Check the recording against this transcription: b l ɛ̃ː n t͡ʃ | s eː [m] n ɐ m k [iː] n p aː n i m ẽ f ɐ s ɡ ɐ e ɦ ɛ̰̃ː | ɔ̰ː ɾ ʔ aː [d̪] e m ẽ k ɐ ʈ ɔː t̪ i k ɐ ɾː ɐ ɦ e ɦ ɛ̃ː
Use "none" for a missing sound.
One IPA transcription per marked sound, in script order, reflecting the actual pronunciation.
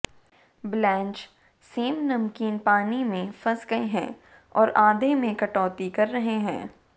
m, iː, d̪

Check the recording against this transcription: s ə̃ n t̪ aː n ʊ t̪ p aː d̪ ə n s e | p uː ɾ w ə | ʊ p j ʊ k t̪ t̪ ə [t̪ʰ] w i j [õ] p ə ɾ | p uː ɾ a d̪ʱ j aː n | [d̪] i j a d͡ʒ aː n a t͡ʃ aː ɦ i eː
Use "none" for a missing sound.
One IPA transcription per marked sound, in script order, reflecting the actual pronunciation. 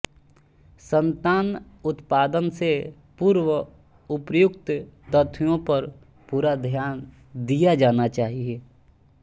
t̪ʰ, õ, d̪

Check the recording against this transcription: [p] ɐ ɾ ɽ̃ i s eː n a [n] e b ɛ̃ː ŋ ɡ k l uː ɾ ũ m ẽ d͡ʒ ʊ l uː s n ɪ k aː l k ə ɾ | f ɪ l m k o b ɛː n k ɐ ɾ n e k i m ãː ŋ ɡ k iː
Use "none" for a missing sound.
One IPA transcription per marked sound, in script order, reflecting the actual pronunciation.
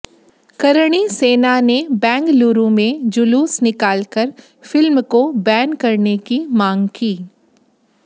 k, n

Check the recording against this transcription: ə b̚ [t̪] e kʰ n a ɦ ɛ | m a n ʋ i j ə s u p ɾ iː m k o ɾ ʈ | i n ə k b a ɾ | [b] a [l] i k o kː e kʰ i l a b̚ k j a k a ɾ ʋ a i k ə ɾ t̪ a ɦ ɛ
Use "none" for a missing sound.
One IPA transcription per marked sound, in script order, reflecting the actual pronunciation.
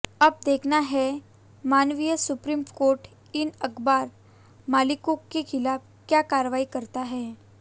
d̪, m, l

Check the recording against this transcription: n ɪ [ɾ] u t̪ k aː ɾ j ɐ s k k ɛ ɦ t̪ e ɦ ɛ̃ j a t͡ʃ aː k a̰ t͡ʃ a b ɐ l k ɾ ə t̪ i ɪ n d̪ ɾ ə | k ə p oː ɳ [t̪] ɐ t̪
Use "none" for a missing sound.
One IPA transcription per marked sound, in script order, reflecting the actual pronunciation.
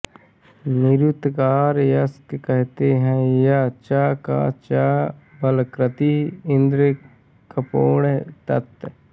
ɾ, t̪

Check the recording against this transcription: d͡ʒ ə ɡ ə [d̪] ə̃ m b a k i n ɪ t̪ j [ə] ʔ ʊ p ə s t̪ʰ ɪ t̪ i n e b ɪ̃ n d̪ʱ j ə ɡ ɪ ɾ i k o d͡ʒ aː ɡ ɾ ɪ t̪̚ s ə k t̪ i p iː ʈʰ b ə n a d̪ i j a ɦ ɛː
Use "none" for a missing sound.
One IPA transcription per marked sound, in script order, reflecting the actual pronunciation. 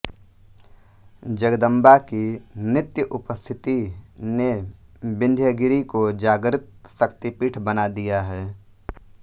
d̪, ə

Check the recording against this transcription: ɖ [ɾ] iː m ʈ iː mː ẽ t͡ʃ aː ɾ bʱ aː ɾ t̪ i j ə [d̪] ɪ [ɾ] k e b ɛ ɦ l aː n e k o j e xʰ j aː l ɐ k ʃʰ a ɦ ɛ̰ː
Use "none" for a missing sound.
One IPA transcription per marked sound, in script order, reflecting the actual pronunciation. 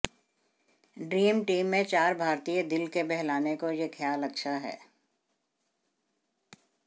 ɾ, d̪, l

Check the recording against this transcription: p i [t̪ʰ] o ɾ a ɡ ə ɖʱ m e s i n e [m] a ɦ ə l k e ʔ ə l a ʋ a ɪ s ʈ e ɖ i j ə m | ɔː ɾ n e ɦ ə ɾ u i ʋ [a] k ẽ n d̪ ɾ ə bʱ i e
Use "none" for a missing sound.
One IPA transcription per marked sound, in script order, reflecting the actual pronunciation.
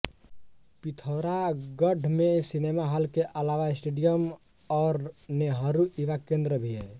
t̪ʰ, m, a

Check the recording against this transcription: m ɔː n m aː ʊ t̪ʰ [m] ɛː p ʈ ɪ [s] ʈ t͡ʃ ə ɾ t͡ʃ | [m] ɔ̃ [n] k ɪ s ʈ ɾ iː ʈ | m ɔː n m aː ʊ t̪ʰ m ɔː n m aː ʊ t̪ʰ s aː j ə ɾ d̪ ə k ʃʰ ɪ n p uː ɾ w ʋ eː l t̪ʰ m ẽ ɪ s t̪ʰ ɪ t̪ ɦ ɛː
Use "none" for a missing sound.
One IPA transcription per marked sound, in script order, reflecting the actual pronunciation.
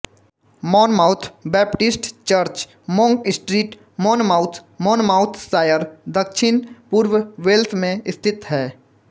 b, s, m, ŋ

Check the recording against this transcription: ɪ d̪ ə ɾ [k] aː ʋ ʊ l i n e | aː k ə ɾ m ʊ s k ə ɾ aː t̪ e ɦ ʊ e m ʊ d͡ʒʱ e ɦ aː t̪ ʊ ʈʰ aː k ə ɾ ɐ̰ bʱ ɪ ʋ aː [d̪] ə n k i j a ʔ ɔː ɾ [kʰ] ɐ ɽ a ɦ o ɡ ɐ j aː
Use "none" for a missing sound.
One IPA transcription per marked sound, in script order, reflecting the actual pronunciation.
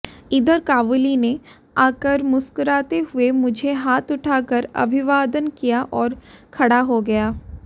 k, d̪, kʰ

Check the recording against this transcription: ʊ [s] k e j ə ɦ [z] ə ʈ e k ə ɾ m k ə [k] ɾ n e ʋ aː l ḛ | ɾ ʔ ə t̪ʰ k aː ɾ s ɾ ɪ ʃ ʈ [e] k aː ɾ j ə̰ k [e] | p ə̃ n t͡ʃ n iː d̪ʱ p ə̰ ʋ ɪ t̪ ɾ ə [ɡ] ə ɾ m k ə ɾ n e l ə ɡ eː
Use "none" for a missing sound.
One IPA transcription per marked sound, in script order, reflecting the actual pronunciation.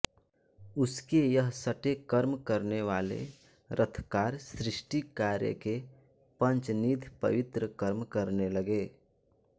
s, s, none, i, e, k

